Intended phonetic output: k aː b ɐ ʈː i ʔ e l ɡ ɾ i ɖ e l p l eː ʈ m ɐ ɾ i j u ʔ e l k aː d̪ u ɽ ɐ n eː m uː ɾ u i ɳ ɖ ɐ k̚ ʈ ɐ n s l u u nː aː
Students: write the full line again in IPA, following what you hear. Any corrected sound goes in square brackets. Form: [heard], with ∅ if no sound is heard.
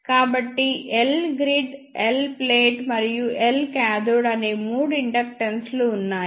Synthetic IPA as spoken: k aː b ɐ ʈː i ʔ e l ɡ ɾ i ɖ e l p l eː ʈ m ɐ ɾ i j u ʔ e l k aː d̪ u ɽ ɐ n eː m uː [ɽ] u i ɳ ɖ ɐ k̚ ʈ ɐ n s l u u nː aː